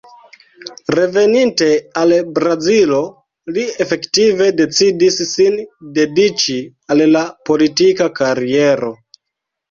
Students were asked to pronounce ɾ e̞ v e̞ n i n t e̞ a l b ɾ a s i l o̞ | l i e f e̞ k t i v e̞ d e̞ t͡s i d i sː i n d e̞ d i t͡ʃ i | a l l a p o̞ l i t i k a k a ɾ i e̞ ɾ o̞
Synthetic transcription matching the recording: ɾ e̞ v e̞ n i n t e̞ a l b ɾ a z i l o̞ | l i e f e̞ k t i v e̞ d e̞ t͡s i d i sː i n d e̞ d i t͡ʃ i | a l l a p o̞ l i t i k a k a ɾ i e̞ ɾ o̞